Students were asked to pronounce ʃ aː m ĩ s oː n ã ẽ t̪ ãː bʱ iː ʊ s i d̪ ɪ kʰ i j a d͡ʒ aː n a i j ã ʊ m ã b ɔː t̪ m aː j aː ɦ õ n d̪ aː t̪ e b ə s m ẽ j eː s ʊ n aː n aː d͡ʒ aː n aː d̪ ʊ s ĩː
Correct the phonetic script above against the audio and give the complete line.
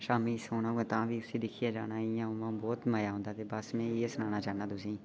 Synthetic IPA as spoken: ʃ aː m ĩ s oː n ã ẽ t̪ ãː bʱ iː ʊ s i d̪ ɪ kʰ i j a d͡ʒ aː n a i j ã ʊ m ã b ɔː t̪ m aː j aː ɦ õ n d̪ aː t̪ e b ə s m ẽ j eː s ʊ n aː n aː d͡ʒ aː n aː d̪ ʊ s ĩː